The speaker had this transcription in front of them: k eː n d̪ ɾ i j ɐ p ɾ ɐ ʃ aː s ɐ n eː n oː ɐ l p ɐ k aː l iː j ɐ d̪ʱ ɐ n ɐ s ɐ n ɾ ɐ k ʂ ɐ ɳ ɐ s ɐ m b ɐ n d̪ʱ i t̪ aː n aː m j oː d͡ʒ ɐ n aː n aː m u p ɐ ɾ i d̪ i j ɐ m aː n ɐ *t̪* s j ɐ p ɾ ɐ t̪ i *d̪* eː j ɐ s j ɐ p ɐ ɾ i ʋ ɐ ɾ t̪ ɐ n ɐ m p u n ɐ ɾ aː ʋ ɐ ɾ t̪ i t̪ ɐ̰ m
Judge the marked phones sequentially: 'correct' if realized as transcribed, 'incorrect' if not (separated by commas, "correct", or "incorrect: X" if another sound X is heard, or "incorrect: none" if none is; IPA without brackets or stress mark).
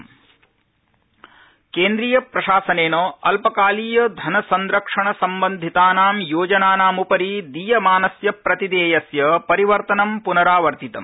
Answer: incorrect: none, correct